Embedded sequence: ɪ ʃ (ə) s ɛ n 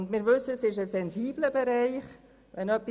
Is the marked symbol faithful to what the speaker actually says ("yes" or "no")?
yes